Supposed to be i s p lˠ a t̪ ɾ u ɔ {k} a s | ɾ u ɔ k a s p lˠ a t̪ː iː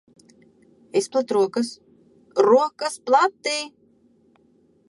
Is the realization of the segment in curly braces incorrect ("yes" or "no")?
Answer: no